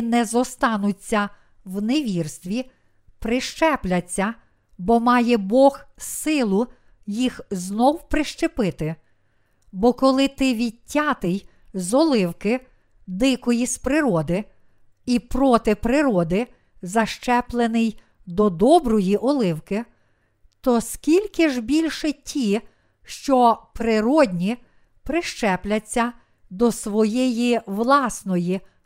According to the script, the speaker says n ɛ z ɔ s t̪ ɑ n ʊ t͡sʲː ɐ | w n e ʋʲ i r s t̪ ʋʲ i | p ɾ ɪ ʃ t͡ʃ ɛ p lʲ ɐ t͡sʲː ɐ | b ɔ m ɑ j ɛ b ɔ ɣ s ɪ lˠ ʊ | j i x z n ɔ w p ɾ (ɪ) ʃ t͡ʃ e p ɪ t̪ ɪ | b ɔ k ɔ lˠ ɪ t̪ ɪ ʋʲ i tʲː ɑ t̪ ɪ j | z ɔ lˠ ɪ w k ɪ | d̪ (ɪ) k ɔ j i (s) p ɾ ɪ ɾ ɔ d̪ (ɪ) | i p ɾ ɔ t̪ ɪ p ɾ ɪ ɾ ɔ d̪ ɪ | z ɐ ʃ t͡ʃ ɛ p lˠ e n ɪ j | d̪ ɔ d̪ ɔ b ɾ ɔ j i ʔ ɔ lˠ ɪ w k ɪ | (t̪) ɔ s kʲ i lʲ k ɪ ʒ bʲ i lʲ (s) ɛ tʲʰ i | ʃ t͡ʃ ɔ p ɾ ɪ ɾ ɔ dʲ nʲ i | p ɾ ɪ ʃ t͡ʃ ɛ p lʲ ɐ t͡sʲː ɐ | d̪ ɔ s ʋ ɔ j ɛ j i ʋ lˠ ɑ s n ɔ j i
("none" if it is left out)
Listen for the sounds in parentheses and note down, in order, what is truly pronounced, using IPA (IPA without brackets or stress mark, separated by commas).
ɪ, ɪ, s, ɪ, t̪, ʃ